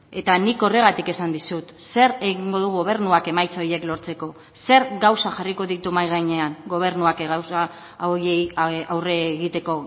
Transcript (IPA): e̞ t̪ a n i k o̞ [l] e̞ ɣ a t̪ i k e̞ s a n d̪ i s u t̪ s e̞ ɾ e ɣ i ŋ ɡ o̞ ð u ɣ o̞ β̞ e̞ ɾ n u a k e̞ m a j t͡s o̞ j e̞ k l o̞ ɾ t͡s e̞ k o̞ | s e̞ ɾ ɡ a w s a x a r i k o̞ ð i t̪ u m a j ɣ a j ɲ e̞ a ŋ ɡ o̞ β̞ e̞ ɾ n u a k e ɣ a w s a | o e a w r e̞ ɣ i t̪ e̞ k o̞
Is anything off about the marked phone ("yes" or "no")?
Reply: yes